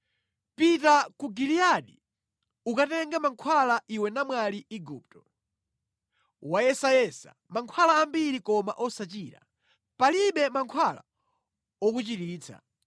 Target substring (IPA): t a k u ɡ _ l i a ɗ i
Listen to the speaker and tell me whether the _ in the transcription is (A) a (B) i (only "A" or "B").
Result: B